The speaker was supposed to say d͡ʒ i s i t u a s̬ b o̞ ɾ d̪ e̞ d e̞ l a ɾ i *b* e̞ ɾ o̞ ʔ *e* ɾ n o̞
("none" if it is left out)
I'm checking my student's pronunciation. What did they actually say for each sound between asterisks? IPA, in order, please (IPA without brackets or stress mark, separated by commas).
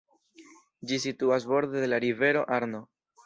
v, a